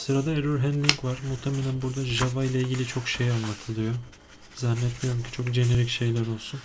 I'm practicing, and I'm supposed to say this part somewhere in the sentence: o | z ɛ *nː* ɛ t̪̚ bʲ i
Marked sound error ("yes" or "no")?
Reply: no